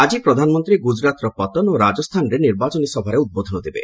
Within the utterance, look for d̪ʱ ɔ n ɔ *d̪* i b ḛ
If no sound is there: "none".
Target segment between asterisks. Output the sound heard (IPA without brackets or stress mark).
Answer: d̪